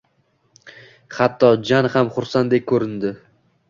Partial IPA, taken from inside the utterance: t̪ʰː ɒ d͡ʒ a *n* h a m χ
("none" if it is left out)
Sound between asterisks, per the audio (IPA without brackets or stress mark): n